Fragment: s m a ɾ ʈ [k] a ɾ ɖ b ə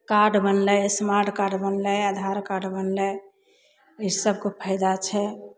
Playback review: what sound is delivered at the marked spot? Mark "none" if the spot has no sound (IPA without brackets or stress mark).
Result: k